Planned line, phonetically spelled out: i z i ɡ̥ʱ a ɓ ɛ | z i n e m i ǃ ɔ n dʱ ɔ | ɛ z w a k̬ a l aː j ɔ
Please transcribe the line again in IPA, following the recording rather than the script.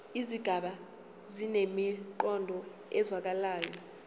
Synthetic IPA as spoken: i z i ɡ̥ʱ a ɓ a | z i n e m i ǃ ɔ n dʱ ɔ | ɛ z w a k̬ a l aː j ɔ